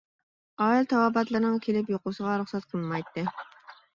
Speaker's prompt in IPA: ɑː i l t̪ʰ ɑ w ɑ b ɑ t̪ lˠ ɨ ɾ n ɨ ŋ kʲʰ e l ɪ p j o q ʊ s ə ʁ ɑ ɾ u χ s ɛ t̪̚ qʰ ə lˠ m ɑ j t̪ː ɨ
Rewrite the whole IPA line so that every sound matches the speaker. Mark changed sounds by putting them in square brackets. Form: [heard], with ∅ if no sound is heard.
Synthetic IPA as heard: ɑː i l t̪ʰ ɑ w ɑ b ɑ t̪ lˠ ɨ ɾ n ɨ ŋ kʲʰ e l ɪ p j o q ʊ s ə ʁ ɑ ɾ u χ s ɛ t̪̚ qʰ ə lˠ m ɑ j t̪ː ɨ